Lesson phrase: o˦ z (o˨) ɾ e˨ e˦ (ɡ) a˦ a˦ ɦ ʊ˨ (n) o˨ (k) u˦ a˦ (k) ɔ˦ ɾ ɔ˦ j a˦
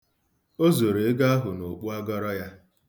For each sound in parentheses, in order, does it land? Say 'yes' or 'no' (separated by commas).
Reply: yes, yes, yes, no, no